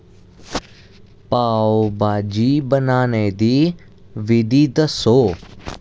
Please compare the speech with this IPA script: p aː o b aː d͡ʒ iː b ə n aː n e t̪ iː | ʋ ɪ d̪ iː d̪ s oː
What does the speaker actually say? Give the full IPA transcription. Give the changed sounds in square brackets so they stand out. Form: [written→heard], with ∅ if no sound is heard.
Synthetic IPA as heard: p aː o b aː d͡ʒ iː b ə n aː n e [t̪→d̪] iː | ʋ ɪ d̪ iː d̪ s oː